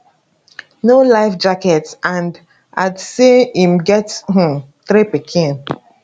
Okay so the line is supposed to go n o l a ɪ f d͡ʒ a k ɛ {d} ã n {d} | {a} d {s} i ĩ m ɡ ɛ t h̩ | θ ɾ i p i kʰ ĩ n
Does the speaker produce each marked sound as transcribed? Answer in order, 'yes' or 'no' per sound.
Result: no, yes, yes, yes

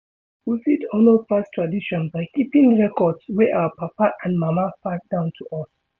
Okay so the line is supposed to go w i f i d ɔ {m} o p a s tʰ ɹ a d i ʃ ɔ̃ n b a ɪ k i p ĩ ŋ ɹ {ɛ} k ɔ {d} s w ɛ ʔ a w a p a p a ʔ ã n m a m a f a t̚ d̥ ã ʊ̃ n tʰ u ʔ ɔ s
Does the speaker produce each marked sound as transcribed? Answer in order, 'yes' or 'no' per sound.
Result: no, yes, yes

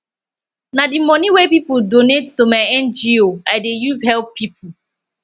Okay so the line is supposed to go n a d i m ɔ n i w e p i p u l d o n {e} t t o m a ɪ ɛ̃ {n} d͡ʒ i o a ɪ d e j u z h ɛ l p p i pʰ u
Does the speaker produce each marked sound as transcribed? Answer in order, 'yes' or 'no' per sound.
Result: yes, yes

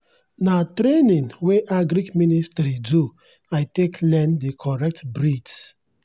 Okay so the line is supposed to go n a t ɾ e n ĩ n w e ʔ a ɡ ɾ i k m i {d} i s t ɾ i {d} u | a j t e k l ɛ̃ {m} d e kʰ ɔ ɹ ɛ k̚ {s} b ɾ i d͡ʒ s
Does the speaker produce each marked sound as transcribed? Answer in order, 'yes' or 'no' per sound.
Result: no, yes, no, no

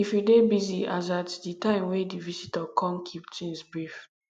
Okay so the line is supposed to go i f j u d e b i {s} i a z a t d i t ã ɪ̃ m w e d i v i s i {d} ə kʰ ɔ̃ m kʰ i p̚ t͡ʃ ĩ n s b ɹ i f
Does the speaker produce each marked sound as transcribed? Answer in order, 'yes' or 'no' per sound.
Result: no, no

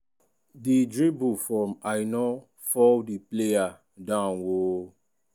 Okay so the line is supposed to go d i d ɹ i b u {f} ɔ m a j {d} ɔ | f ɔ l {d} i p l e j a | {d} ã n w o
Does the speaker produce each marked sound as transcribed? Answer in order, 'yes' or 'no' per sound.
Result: yes, no, yes, yes

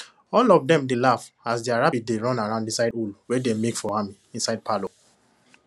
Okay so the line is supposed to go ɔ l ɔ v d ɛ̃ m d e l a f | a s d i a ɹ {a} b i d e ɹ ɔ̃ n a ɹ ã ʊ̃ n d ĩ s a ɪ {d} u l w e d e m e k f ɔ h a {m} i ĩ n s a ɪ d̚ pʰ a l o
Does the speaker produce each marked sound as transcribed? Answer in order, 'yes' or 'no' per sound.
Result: yes, yes, yes

